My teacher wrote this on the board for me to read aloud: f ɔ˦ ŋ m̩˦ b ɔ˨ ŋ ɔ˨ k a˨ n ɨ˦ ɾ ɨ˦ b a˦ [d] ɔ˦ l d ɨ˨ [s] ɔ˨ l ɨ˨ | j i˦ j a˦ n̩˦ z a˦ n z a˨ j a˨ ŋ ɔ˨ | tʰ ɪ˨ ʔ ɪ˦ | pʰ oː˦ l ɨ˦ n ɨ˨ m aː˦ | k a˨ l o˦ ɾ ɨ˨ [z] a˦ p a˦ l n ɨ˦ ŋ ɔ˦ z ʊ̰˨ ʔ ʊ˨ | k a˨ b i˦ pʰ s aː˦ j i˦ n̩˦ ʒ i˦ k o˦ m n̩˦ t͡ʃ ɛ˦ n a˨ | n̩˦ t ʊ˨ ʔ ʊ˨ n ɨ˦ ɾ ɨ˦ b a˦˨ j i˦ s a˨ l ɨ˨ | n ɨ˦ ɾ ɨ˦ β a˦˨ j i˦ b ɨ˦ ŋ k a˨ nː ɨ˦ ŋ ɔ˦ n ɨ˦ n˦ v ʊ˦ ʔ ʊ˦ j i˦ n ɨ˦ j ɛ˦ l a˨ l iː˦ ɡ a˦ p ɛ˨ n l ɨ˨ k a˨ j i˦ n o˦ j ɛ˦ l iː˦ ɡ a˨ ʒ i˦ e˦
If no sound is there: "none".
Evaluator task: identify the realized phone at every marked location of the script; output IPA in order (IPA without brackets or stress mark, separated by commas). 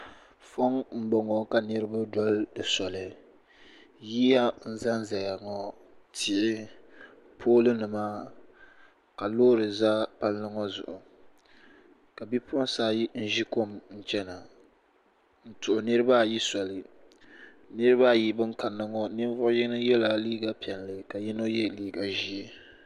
d, s, z